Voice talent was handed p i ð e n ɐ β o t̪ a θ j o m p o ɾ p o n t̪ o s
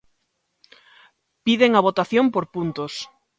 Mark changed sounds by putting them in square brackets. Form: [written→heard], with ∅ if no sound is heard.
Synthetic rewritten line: p i ð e [n→ŋ] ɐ β o t̪ a θ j o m p o ɾ p [o→u] n t̪ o s